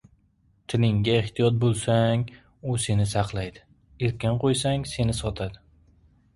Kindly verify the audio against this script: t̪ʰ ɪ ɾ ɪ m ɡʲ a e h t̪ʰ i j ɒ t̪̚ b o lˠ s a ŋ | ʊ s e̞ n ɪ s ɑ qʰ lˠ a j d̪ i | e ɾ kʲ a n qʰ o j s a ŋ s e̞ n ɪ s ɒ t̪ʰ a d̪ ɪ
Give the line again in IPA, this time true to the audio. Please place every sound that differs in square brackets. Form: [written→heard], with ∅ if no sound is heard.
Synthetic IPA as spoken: t̪ʰ ɪ [ɾ→l] ɪ [m→ŋ] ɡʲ a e h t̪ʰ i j ɒ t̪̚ b o lˠ s a ŋ | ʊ s e̞ n ɪ s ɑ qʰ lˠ a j d̪ [i→ɪ] | e ɾ kʲ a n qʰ o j s a ŋ s e̞ n ɪ s ɒ t̪ʰ a d̪ ɪ